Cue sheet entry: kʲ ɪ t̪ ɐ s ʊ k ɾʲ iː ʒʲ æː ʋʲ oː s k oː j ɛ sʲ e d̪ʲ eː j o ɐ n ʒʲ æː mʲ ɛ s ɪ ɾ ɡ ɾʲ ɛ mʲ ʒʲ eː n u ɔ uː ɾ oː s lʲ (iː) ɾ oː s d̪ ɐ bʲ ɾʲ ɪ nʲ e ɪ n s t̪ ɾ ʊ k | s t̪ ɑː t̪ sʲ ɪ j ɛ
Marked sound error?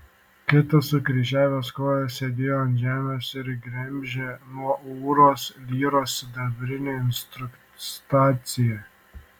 no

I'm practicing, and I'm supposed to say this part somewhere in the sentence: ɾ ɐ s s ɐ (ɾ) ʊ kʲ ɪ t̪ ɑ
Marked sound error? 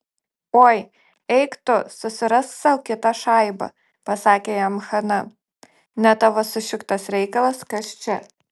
yes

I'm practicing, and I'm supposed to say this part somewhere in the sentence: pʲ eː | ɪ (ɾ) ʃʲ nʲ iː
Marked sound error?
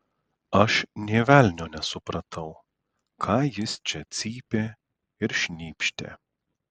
no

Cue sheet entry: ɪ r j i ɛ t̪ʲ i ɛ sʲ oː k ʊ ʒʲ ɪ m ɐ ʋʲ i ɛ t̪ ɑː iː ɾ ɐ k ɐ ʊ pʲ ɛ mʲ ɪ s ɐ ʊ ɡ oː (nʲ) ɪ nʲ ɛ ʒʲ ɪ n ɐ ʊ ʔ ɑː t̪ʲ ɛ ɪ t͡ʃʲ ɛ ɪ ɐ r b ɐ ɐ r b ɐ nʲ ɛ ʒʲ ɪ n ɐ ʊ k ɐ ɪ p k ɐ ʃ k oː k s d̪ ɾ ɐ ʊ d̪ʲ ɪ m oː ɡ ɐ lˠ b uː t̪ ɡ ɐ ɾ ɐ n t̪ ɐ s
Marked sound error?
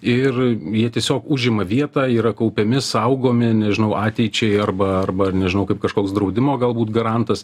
yes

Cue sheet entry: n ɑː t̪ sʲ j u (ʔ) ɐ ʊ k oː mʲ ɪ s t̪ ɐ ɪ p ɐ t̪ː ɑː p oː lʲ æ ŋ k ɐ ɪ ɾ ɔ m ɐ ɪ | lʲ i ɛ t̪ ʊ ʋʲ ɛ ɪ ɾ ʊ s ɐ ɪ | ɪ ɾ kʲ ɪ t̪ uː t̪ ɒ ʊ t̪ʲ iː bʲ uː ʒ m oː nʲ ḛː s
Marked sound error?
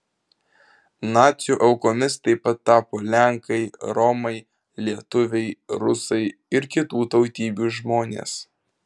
no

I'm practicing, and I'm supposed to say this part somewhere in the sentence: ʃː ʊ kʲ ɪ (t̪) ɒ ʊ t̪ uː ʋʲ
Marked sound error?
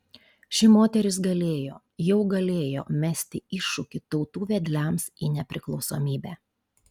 no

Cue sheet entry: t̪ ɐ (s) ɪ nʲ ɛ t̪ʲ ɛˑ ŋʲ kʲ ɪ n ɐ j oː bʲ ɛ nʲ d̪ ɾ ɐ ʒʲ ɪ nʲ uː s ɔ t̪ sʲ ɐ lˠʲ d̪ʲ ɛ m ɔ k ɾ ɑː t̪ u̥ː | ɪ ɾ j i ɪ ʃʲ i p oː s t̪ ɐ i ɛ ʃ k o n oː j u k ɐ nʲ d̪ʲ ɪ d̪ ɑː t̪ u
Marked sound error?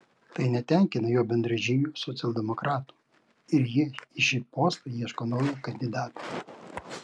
yes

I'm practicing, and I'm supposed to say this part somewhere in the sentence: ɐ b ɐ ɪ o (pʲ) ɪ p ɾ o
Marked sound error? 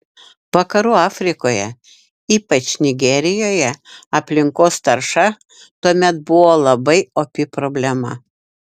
no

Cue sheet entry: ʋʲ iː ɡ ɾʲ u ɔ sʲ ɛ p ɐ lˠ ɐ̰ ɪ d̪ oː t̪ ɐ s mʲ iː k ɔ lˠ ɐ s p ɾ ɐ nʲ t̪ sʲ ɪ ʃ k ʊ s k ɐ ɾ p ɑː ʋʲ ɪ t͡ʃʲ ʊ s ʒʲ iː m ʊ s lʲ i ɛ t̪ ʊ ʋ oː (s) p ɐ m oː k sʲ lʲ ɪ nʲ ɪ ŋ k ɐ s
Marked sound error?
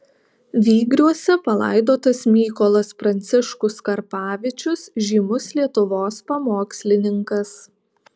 no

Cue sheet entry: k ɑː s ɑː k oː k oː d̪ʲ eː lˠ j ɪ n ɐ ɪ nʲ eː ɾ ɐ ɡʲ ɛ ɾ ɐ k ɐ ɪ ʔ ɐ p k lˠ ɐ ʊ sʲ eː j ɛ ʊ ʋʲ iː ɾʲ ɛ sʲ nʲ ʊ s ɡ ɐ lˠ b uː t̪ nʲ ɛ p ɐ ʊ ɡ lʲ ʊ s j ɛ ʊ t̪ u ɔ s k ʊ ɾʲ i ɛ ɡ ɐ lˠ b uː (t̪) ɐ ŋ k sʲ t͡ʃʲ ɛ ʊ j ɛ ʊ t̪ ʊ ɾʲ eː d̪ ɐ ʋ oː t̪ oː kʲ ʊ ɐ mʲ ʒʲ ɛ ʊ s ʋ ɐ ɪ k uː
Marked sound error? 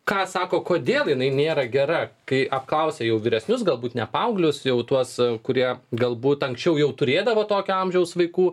no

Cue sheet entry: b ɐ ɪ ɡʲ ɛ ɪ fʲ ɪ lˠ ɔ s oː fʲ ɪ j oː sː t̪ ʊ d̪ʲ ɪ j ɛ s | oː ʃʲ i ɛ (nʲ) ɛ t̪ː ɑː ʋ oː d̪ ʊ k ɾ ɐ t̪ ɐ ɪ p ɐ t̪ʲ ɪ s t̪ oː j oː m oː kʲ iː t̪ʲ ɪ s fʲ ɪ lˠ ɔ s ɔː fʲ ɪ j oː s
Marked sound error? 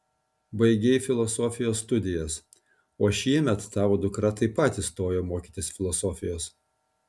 yes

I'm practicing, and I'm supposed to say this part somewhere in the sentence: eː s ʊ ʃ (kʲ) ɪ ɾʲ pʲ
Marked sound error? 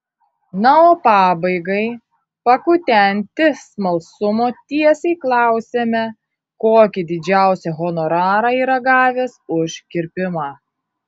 no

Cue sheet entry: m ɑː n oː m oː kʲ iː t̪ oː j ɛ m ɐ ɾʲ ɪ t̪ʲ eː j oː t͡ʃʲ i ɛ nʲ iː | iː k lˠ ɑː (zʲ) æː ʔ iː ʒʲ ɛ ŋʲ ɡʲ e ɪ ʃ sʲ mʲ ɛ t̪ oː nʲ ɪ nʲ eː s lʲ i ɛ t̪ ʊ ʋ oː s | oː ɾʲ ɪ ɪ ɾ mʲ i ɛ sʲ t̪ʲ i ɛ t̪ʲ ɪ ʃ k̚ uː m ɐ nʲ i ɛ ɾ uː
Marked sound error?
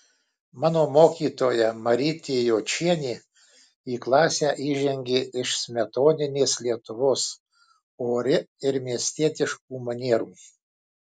yes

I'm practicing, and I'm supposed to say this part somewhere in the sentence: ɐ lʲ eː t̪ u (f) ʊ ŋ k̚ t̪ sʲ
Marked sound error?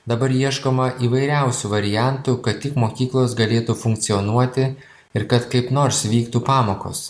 no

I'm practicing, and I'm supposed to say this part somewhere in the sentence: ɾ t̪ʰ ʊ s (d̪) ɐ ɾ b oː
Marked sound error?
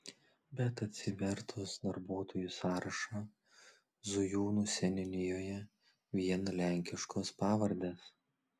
no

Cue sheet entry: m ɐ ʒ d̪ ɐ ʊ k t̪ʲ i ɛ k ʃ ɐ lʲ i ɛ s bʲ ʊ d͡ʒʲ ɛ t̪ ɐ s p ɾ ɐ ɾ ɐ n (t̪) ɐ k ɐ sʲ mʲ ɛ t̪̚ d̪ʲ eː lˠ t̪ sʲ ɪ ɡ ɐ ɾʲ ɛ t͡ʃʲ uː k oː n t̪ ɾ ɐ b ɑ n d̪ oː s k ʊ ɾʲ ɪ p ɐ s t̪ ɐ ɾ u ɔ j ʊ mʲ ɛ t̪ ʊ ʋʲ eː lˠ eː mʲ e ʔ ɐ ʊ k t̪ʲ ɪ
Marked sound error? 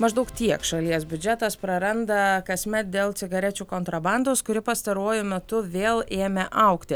yes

